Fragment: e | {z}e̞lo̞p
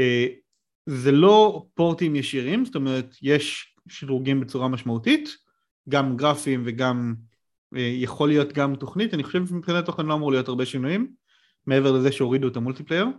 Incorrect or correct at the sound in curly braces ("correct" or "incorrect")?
correct